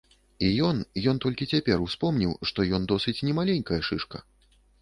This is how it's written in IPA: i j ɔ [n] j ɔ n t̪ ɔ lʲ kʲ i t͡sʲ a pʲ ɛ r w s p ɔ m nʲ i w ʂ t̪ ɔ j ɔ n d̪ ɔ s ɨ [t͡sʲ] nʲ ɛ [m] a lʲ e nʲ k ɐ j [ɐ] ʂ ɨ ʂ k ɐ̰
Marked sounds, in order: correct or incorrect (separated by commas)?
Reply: correct, correct, correct, correct